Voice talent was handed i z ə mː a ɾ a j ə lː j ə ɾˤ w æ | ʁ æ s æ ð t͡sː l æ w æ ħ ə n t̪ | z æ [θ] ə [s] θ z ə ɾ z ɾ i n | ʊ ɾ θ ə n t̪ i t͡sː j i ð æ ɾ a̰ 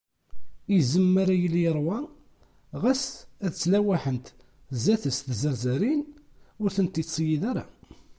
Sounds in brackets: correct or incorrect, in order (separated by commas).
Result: correct, correct